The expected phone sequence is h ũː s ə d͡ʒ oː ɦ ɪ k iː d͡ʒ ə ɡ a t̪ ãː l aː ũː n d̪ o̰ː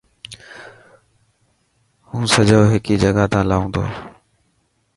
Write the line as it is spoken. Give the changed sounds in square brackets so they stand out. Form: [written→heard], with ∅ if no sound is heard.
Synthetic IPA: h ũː s ə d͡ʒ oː ɦ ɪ k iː d͡ʒ ə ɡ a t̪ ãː l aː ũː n d̪ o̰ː